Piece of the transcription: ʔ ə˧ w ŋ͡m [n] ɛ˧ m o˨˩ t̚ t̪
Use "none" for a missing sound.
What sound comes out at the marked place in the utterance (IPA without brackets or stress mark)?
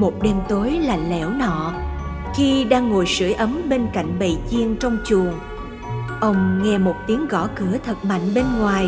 ŋ